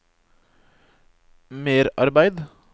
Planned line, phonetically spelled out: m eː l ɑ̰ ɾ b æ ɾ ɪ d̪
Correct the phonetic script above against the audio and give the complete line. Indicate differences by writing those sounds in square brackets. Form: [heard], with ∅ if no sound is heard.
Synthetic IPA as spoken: m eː [ɾ] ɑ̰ ɾ b æ [∅] ɪ d̪